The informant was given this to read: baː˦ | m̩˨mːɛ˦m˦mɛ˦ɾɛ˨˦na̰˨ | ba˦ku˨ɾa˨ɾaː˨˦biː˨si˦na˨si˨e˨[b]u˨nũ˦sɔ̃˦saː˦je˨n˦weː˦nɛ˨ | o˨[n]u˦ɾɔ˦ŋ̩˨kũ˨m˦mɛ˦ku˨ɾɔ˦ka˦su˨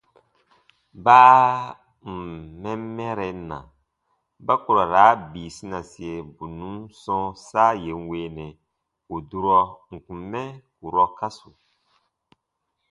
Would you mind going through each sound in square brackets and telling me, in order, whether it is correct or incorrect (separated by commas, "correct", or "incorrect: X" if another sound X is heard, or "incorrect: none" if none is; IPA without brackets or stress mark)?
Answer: correct, incorrect: d